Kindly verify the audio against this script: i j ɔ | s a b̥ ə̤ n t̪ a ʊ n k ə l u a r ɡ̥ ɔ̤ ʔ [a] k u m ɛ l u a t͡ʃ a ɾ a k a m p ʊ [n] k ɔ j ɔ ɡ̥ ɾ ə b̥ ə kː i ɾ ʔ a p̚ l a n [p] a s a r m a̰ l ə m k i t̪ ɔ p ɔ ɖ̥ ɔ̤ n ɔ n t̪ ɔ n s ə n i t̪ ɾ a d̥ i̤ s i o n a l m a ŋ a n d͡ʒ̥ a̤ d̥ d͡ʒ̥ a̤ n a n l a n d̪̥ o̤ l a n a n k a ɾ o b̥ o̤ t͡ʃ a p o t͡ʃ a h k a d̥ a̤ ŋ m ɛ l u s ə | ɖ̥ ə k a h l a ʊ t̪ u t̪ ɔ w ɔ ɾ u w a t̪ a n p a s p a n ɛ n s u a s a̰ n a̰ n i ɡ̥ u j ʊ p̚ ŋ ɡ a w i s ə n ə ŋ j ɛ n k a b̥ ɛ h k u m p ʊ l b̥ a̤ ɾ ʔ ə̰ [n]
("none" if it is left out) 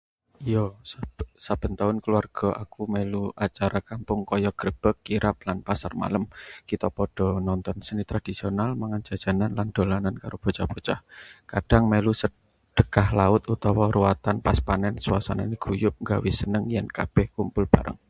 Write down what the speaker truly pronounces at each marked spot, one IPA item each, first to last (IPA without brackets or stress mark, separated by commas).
a, ŋ, p, ŋ